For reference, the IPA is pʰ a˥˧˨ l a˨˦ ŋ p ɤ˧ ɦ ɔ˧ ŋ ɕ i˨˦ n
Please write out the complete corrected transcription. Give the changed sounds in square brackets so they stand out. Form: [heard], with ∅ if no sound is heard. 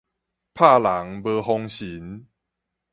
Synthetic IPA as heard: pʰ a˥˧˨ l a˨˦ ŋ [b] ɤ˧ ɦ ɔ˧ ŋ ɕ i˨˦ n